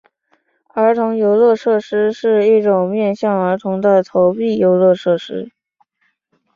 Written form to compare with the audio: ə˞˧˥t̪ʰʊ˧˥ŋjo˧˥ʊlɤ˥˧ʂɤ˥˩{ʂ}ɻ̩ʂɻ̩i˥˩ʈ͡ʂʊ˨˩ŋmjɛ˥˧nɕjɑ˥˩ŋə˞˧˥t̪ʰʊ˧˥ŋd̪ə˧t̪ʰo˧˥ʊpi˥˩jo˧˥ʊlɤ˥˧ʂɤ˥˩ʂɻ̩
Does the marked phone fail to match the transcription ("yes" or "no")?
no